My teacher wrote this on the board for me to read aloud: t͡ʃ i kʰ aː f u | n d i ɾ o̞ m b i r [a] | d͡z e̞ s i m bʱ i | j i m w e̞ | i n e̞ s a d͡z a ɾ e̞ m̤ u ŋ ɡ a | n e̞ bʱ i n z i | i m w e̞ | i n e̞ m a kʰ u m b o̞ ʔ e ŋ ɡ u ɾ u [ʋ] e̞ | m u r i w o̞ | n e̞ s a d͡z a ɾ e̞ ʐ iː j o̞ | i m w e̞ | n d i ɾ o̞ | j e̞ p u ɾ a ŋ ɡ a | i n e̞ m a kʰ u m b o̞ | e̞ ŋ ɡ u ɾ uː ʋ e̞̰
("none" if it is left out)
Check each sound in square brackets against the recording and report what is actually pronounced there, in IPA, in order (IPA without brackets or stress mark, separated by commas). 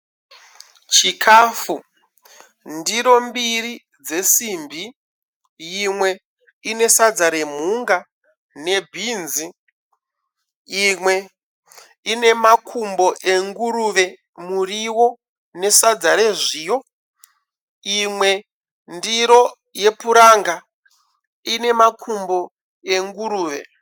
i, ʋ